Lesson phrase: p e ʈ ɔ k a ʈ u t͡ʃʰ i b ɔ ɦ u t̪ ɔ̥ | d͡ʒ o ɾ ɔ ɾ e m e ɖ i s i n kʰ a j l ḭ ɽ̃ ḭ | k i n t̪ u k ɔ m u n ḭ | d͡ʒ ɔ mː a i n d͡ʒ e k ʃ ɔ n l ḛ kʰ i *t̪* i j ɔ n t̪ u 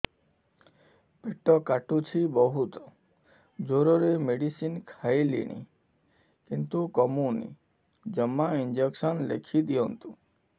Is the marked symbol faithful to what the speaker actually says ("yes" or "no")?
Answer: no